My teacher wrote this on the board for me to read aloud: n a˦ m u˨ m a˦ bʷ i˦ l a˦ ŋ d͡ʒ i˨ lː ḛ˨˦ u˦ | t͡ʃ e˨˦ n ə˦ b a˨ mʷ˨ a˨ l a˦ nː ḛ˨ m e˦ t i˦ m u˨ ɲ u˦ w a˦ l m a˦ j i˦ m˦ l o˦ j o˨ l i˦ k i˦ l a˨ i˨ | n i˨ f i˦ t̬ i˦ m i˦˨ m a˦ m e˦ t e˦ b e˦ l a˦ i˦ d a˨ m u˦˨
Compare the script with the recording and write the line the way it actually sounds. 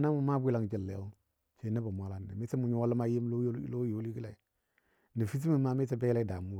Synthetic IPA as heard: n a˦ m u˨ m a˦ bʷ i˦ l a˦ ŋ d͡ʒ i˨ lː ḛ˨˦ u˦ | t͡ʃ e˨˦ n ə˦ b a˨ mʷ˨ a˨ l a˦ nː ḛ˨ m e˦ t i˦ m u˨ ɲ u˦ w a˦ l m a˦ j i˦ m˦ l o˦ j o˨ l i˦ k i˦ l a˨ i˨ | n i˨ f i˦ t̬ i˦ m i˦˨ m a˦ m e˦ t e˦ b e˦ l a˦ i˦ d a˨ m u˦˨

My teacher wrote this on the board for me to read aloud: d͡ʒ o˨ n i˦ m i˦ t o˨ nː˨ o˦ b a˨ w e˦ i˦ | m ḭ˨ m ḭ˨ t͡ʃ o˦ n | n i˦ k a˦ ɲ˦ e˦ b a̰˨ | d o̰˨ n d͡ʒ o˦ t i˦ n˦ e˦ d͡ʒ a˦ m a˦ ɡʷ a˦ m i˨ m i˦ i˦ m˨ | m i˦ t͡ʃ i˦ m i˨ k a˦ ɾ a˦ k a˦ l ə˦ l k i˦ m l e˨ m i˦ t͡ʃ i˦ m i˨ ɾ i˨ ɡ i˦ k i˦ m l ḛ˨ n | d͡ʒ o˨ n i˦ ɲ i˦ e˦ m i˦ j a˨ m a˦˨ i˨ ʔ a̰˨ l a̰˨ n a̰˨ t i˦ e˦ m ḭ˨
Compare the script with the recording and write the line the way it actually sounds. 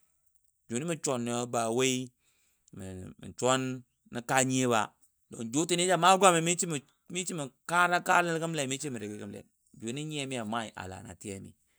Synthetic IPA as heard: d͡ʒ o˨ n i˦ m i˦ t͡ʃ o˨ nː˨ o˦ b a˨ w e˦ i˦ | m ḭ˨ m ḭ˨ t͡ʃ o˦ n | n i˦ k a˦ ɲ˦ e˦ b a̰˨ | d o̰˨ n d͡ʒ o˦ t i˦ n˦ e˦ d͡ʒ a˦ m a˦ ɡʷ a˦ m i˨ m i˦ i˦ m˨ | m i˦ t͡ʃ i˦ m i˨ k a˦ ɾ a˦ k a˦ l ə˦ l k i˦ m l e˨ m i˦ t͡ʃ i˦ m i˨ ɾ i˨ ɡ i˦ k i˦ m l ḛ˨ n | d͡ʒ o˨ n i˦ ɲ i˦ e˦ m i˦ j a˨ m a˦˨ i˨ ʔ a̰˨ l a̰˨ n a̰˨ t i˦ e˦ m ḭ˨

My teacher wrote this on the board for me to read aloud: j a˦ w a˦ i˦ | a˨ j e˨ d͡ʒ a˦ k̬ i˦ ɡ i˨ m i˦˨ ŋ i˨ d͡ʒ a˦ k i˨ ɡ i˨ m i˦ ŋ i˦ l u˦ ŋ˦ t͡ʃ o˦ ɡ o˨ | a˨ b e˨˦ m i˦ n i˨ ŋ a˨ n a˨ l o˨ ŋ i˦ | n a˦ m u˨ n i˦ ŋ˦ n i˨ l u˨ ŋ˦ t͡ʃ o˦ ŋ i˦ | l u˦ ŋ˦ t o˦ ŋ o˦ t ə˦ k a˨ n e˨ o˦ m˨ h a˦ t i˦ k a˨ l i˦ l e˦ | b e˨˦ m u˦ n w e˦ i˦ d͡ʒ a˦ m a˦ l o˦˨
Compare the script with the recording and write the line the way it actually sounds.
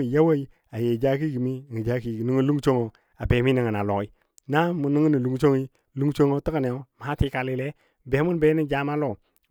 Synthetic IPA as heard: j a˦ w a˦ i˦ | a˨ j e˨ d͡ʒ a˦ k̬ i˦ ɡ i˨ m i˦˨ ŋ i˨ d͡ʒ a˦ k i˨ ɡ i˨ n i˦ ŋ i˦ l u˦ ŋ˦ t͡ʃ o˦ ŋ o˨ | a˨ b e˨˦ m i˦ n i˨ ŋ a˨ n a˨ l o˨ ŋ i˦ | n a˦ m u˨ n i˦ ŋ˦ n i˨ l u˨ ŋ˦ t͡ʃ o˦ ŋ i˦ | l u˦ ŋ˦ t͡ʃ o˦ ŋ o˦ t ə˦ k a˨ n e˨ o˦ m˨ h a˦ t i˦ k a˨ l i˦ l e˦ | b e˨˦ m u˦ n b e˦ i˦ d͡ʒ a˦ m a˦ l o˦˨

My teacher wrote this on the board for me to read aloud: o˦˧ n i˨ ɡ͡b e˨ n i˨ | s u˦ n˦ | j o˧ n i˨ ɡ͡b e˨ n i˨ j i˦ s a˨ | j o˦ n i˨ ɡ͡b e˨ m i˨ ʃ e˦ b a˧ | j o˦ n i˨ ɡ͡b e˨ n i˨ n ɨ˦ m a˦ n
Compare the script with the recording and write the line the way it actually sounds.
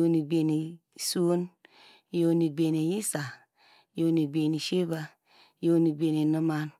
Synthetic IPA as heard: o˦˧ n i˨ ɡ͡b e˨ n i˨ | s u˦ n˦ | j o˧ n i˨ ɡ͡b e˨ n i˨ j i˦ s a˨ | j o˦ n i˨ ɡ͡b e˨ n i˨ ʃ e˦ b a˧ | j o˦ n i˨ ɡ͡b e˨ n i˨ n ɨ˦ m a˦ n

